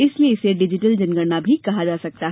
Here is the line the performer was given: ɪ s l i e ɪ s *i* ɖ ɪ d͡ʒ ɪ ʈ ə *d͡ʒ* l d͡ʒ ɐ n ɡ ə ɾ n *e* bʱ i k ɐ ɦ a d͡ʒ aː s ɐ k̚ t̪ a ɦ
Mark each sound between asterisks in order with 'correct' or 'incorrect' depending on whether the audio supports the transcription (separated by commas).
incorrect, incorrect, incorrect